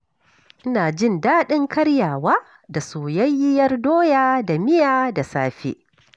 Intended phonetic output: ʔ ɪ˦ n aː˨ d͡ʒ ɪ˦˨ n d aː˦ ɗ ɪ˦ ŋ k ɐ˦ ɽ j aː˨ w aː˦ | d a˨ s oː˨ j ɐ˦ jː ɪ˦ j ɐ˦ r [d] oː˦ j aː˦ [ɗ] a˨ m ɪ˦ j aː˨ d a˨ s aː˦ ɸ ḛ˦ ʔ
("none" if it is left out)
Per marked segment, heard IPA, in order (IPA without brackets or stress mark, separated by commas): d, d